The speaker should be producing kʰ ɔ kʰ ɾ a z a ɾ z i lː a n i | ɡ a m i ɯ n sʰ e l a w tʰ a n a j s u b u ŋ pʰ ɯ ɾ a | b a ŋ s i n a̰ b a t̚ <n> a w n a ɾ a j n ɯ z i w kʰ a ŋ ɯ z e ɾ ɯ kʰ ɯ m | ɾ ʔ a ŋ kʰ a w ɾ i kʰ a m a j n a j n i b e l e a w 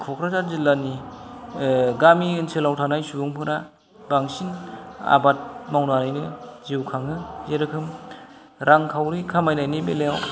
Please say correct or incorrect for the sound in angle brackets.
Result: incorrect: m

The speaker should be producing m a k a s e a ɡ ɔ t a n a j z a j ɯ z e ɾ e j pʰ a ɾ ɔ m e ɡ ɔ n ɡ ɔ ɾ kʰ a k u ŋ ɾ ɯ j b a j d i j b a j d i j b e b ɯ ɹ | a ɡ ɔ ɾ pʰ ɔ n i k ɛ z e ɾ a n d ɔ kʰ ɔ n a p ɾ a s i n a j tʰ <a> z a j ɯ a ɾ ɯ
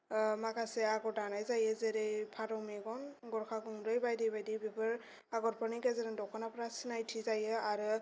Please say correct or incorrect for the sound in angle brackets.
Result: incorrect: i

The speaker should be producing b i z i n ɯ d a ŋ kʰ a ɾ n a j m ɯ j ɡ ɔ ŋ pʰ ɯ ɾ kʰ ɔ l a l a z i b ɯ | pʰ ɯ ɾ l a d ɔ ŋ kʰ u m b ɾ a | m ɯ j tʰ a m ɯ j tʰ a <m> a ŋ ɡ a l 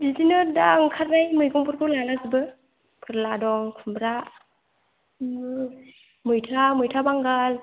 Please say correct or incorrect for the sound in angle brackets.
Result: incorrect: b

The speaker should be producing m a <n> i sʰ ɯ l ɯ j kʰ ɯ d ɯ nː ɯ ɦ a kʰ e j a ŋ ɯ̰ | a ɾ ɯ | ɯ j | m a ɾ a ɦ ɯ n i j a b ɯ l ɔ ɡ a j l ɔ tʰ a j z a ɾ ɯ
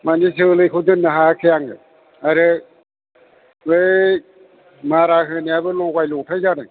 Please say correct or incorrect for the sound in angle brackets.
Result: correct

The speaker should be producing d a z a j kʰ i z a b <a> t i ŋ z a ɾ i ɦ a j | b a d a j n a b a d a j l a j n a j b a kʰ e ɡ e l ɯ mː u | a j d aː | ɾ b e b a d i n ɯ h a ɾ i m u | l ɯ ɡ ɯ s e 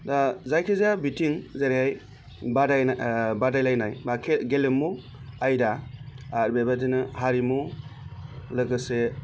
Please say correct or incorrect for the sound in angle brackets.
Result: incorrect: i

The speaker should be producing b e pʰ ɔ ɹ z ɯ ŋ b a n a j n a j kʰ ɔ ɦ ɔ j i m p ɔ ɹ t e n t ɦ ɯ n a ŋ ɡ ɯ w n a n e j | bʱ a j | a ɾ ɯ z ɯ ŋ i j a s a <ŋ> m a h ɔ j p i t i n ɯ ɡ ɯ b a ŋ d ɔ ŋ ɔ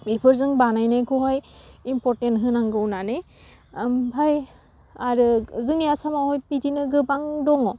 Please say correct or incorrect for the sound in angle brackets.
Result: incorrect: none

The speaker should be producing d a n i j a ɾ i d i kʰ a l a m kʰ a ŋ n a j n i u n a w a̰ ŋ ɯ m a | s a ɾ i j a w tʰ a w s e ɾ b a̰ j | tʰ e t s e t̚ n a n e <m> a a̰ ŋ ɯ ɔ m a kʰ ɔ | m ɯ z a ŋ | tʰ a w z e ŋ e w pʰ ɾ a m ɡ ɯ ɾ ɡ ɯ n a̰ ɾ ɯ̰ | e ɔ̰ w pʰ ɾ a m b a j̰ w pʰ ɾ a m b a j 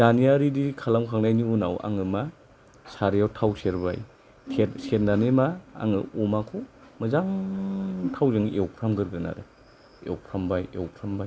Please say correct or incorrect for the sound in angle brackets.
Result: correct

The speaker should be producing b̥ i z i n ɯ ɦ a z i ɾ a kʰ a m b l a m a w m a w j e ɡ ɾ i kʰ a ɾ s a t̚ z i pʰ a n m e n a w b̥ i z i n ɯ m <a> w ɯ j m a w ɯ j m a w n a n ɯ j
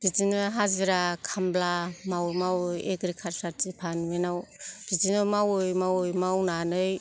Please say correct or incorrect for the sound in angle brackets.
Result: correct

